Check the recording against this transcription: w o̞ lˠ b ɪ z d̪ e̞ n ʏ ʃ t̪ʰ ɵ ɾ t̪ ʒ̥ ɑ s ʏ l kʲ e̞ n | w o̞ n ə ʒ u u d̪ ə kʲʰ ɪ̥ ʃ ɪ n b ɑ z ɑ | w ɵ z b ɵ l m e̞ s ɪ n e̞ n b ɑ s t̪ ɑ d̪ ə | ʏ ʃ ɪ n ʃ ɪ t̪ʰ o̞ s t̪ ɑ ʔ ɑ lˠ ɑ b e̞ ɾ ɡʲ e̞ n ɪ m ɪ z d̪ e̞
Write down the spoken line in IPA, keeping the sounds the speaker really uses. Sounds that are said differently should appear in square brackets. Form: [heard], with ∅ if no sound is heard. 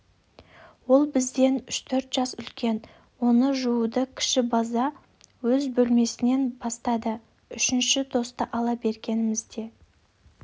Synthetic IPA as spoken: w o̞ lˠ b ɪ z d̪ e̞ n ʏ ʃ t̪ʰ ɵ ɾ t̪ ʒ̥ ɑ s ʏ l kʲ e̞ n | w o̞ n ə ʒ u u d̪ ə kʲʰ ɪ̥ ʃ ɪ [∅] b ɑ z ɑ | w ɵ z b ɵ l m e̞ s ɪ n e̞ n b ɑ s t̪ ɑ d̪ ə | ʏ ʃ ɪ n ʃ ɪ t̪ʰ o̞ s t̪ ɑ ʔ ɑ lˠ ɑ b e̞ ɾ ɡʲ e̞ n ɪ m ɪ z d̪ e̞